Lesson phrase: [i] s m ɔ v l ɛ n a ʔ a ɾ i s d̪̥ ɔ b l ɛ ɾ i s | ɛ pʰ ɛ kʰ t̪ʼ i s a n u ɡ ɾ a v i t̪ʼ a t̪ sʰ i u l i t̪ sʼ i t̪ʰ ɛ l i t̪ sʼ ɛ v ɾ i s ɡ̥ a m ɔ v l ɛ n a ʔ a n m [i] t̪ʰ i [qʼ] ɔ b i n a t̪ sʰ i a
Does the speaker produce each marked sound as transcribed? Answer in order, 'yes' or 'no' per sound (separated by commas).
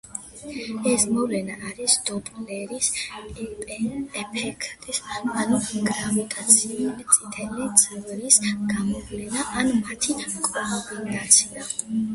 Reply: no, no, no